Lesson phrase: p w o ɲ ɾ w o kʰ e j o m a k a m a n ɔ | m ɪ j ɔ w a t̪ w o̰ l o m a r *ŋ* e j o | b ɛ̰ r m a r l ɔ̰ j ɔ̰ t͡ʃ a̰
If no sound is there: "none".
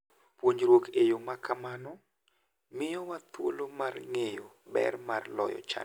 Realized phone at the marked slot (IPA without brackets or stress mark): ŋ